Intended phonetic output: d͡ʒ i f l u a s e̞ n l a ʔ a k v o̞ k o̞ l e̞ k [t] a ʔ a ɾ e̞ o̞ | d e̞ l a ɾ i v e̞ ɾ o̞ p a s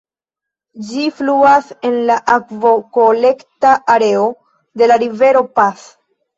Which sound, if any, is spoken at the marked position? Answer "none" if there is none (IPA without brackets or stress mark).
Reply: t